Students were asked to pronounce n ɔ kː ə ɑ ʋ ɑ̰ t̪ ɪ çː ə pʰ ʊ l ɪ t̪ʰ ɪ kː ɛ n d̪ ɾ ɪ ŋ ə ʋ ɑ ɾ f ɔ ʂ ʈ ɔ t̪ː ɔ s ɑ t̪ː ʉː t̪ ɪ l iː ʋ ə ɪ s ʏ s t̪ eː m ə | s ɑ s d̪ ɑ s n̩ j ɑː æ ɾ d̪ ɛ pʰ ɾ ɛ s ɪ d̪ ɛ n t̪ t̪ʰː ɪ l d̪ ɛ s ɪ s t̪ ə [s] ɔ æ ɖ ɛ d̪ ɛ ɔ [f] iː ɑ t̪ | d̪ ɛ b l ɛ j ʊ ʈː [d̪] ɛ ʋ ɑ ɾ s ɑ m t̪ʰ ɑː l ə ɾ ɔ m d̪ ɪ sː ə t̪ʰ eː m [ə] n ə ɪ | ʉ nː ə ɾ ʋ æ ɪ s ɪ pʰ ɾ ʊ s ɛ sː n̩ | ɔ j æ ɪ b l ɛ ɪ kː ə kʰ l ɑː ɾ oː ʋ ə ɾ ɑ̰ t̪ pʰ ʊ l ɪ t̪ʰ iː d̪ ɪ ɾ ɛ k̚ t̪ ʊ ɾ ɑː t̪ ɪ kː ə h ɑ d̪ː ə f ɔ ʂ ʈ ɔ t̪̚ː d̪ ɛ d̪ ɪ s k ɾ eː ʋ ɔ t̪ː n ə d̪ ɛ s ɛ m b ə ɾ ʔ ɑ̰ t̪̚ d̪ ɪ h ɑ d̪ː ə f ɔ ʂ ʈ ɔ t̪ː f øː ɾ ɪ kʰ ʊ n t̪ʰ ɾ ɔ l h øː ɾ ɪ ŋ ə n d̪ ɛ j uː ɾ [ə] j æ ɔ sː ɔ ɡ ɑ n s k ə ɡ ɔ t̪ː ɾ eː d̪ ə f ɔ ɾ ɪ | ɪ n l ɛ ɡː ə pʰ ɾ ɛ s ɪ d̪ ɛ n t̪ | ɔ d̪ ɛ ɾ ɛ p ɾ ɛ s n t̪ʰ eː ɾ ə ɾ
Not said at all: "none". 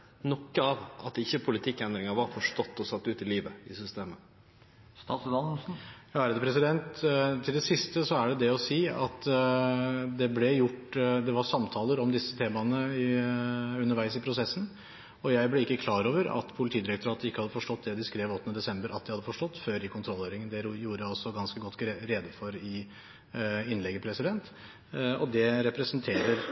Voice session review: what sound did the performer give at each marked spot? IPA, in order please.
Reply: s, s, d̪, ɑ, ə

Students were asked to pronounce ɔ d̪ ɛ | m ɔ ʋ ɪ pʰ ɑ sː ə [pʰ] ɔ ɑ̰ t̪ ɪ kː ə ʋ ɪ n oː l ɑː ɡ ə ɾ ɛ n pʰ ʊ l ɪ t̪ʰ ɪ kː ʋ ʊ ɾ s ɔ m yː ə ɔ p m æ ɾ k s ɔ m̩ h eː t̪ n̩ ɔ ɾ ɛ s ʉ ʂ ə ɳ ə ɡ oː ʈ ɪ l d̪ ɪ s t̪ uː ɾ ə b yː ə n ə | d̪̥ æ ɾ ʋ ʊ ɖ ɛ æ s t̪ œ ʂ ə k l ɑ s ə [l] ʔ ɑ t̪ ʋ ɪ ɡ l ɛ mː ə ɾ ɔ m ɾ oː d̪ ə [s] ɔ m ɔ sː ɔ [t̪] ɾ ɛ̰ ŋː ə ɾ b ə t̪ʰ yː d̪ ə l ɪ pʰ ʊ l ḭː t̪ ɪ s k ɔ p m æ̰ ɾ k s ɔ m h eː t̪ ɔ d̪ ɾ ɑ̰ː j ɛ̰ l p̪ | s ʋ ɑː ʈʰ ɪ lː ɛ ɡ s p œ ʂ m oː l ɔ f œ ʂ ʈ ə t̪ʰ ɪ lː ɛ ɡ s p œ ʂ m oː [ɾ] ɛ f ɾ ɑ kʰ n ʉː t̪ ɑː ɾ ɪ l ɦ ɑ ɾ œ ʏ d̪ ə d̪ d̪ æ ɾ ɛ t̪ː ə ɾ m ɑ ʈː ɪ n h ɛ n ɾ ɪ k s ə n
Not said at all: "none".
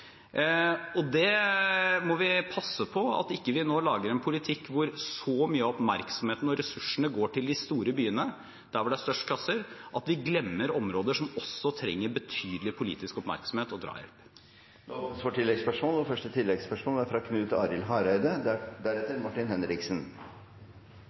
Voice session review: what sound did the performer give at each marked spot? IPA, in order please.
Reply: pʰ, ɾ, ʂ, t̪ʰ, l

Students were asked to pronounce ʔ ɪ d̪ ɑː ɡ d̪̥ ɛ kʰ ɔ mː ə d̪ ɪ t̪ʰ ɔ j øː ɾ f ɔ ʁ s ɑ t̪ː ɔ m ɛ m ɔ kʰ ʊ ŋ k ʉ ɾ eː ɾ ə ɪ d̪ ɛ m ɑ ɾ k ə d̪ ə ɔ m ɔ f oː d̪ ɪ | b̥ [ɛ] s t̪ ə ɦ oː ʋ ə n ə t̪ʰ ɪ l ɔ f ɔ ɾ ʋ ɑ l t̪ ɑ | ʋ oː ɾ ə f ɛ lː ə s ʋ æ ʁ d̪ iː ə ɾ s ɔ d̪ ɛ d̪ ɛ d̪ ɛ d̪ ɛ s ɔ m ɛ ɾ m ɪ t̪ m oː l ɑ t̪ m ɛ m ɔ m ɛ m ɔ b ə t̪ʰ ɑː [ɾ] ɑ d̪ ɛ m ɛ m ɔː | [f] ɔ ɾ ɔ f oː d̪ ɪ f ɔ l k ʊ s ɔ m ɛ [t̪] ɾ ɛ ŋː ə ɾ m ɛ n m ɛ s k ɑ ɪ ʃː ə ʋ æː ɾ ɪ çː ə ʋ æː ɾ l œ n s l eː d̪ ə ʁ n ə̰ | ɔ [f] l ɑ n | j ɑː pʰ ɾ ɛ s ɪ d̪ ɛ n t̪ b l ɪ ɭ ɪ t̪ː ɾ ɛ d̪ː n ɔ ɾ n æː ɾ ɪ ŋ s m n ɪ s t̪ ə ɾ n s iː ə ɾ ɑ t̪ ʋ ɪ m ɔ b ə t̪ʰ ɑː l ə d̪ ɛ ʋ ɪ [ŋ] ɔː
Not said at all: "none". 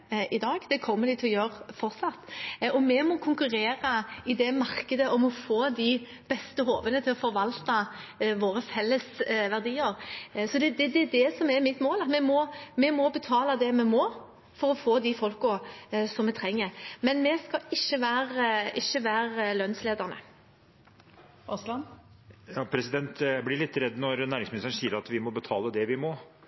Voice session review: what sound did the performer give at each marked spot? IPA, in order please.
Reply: ɛ, l, f, t̪ʰ, s, m

